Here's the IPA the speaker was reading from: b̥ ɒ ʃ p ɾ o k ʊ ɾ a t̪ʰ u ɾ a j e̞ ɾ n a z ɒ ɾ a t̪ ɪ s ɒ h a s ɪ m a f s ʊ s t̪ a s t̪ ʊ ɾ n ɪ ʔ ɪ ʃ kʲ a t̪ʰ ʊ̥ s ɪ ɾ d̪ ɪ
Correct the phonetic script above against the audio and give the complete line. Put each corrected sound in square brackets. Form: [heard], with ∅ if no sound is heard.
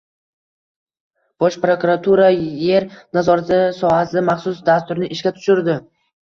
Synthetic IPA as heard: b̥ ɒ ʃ p ɾ o k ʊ ɾ a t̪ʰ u ɾ a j e̞ ɾ n a z ɒ ɾ a t̪ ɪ s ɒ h a s ɪ m a [χ] s ʊ s [d̪] a s t̪ ʊ ɾ n ɪ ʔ ɪ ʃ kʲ a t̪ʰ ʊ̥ [ʃ] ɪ ɾ d̪ ɪ